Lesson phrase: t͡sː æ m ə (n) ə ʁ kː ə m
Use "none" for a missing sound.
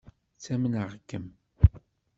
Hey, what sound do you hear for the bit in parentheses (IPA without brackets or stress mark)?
n